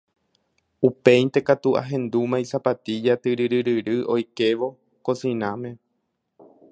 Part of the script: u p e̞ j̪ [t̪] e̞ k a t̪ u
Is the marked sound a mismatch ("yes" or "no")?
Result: no